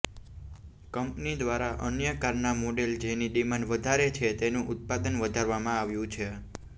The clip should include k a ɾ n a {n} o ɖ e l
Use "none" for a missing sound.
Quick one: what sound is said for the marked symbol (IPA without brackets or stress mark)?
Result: m